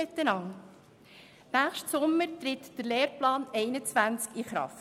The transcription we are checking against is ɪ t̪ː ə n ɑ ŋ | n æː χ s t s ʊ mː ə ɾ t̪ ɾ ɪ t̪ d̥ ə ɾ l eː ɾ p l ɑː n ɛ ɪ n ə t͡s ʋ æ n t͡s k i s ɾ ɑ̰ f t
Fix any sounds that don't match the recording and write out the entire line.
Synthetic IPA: ɪ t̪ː ə n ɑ ŋ | n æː χ ʃ t s ʊ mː ə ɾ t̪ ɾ ɪ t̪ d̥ ə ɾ l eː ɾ p l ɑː n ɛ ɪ n ə t͡s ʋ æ n t͡s k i χ ɾ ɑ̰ f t